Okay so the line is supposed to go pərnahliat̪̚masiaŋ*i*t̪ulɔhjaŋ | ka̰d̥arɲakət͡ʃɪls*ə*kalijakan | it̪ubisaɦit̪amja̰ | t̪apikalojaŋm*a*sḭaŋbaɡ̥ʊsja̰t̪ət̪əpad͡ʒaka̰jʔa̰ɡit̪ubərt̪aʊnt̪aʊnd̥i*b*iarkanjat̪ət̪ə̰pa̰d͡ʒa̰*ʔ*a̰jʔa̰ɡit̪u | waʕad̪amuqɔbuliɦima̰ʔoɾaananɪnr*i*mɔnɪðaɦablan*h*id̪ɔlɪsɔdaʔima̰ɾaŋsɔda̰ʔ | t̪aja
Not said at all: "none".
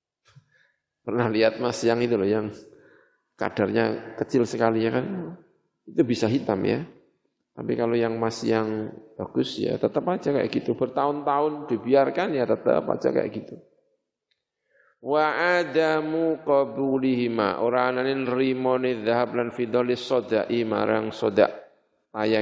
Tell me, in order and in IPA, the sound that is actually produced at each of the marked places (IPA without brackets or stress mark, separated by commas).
i, ə, a, b, k, i, f